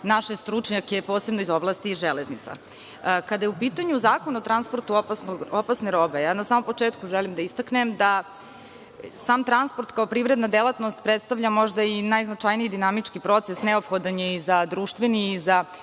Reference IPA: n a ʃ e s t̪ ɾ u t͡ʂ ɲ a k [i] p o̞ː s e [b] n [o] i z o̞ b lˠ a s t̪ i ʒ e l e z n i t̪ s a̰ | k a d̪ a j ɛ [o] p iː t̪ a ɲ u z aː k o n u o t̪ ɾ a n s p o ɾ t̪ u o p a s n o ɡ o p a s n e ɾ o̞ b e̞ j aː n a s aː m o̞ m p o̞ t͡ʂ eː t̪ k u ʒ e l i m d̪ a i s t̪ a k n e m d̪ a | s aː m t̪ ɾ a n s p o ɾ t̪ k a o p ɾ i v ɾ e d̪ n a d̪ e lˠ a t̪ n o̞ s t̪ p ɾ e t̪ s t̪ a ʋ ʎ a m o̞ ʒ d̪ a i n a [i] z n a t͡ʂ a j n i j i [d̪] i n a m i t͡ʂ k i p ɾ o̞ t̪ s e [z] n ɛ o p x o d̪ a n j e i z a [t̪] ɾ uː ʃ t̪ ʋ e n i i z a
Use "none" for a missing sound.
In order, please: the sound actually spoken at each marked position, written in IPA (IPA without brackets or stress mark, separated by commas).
e, b, o, u, j, d̪, s, d̪